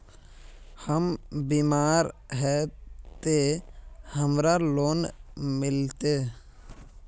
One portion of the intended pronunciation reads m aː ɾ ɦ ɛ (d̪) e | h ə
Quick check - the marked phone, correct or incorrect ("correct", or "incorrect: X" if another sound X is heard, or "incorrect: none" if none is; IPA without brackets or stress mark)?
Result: incorrect: t̪